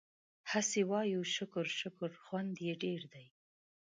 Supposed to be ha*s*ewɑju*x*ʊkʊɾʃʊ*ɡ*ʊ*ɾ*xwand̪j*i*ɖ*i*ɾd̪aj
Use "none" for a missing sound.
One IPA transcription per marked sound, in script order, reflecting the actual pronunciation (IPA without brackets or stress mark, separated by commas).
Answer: s, ʃ, k, ɾ, e, e